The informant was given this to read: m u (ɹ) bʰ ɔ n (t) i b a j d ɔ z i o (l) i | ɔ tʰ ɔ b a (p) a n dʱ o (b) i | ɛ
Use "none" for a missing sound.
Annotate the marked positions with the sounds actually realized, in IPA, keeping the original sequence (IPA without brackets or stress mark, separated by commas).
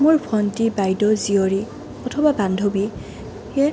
ɹ, t, ɹ, b, b